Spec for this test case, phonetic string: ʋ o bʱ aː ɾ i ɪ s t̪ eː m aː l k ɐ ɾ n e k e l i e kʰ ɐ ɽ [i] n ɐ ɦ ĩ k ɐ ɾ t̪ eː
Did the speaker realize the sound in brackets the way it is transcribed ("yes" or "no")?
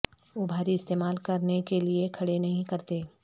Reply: no